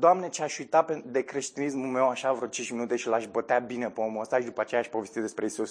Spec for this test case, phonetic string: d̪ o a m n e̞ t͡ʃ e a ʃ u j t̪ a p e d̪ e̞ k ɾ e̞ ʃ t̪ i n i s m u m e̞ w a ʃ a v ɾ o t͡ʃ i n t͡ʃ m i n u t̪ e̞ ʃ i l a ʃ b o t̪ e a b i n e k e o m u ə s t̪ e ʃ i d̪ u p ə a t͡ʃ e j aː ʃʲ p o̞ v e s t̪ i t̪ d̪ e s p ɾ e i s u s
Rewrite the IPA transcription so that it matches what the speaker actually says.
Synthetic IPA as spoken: d̪ o a m n e̞ t͡ʃ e a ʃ u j t̪ a p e d̪ e̞ k ɾ e̞ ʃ t̪ i n i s m u m e̞ w a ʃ a v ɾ o t͡ʃ i n t͡ʃ m i n u t̪ e̞ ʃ i l a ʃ b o t̪ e a b i n e p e o m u ə s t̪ a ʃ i d̪ u p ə a t͡ʃ e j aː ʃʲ p o̞ v e s t̪ i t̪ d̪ e s p ɾ e i s u s